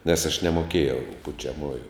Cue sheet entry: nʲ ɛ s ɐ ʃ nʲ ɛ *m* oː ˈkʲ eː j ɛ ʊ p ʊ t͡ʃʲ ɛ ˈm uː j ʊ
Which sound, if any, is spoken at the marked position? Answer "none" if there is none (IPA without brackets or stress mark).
m